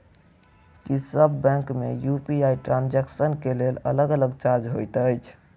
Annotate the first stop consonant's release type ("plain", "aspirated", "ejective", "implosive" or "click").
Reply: plain